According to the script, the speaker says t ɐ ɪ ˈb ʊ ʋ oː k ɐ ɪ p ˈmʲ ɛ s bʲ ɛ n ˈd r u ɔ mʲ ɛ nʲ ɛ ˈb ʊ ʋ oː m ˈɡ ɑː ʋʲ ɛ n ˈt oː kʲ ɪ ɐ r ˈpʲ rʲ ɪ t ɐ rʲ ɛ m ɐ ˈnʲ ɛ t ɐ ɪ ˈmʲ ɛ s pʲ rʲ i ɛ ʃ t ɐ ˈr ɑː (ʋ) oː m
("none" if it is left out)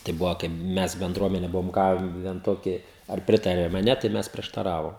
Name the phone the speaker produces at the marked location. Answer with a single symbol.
ʋ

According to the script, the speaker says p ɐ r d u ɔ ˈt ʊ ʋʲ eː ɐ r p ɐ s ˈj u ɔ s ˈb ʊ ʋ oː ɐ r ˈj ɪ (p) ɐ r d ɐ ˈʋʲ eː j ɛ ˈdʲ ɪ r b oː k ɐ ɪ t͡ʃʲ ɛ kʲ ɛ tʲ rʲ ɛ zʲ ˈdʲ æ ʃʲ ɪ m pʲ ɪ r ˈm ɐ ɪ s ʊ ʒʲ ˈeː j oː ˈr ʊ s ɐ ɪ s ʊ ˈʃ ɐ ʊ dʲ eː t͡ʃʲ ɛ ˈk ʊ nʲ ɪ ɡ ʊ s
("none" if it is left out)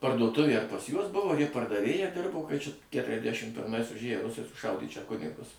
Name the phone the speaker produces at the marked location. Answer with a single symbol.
p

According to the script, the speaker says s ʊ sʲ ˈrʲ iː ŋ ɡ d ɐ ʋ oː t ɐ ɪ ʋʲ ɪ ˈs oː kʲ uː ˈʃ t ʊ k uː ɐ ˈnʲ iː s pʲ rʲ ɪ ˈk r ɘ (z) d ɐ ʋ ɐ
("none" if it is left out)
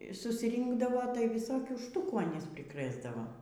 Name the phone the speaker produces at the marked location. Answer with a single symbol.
z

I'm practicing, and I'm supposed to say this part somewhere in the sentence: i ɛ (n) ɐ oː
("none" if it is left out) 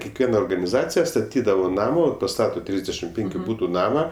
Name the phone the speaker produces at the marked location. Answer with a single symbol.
n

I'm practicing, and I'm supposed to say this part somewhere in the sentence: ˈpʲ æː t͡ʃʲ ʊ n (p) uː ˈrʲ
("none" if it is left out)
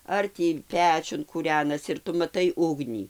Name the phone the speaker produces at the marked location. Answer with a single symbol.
k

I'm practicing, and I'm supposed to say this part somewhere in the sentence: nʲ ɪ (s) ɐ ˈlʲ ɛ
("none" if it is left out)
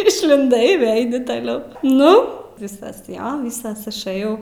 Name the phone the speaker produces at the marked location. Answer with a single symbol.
t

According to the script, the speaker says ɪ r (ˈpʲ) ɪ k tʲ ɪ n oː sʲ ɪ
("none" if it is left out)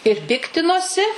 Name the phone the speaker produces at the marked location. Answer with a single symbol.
pʲ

